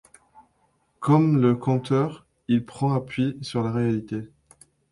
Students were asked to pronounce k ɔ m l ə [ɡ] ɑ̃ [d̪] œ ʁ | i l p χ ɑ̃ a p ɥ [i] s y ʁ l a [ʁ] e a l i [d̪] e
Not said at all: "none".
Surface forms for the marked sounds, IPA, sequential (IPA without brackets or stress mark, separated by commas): k, t̪, i, ʁ, t̪